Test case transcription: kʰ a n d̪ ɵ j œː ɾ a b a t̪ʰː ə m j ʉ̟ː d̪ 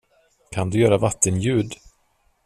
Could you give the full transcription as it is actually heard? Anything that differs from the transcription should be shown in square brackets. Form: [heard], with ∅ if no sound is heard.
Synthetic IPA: kʰ a n d̪ ɵ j œː ɾ a [v] a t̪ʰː ə [n] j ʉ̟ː d̪